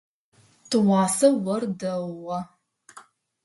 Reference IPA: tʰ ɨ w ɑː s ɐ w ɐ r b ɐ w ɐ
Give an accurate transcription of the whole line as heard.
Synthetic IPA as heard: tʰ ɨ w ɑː s ɐ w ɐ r d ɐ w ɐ